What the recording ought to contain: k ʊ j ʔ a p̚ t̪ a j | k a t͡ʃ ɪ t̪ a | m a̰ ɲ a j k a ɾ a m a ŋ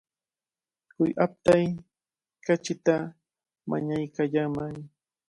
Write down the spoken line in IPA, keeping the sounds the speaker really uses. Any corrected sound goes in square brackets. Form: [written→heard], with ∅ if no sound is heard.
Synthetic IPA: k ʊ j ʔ a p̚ t̪ a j | k a t͡ʃ ɪ t̪ a | m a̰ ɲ a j k a [ɾ→ʎ] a m a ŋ